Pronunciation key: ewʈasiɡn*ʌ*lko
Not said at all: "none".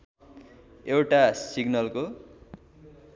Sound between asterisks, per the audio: ʌ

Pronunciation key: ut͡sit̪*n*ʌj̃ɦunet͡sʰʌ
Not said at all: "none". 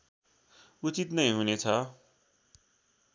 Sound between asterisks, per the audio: n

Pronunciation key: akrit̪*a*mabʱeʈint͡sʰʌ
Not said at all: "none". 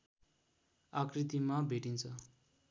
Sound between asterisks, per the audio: i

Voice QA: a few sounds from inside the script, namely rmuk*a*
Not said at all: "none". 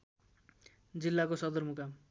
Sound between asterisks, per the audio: a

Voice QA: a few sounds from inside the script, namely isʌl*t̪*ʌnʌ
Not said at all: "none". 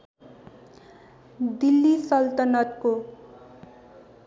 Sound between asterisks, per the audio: t̪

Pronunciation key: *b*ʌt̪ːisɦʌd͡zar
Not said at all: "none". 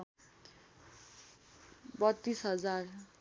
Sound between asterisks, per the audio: b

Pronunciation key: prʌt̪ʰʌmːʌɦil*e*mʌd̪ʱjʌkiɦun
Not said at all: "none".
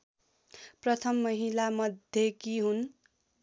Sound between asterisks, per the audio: a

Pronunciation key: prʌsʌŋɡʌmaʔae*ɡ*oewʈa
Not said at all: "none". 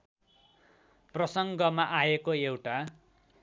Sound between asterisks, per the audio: k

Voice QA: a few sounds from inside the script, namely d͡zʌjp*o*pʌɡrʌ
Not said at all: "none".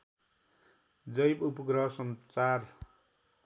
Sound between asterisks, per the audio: u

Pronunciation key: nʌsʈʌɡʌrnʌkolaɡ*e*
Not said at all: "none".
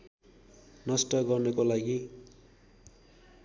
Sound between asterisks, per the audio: i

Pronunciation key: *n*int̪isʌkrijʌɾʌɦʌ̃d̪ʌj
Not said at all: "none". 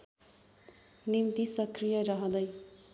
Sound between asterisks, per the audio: n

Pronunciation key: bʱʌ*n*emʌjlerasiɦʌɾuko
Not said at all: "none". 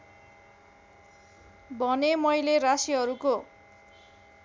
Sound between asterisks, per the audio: n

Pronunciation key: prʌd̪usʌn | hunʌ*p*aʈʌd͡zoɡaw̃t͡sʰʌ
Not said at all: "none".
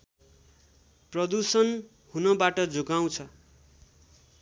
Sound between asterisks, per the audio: b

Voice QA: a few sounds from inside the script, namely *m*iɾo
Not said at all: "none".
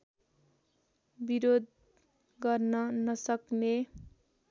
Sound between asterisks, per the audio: b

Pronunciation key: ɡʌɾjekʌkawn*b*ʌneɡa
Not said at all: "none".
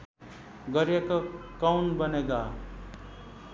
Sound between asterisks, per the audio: b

